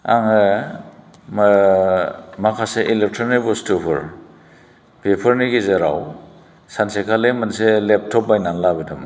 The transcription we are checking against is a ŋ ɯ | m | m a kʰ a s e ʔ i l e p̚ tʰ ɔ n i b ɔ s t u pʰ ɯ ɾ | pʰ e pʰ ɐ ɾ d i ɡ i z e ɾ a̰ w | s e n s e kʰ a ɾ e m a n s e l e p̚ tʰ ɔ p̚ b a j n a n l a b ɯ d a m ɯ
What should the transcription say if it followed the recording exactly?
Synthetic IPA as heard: a ŋ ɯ | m | m a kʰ a s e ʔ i l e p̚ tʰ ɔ n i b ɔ s t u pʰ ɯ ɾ | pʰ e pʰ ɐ ɾ n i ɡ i z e ɾ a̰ w | s a n s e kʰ a l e m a n s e l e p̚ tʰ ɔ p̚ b a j n a n l a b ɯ d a m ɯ